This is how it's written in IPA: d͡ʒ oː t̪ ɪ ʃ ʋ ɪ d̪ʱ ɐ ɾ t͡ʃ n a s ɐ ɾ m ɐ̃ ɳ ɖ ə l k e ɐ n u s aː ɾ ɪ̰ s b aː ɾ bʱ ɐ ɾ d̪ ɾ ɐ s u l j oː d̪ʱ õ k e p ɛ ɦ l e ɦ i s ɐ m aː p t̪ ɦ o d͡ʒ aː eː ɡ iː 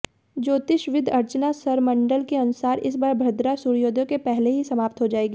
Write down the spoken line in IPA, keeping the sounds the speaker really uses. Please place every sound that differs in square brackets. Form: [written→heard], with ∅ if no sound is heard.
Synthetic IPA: d͡ʒ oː t̪ ɪ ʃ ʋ ɪ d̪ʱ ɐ ɾ t͡ʃ n a s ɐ ɾ m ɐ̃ ɳ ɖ ə l k e ɐ n [u→ʊ] s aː ɾ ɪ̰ s b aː ɾ bʱ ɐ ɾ d̪ ɾ [ɐ→a] s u [l→ɾ] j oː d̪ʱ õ k e p ɛ ɦ l e ɦ i s ɐ m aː p t̪ ɦ o d͡ʒ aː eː ɡ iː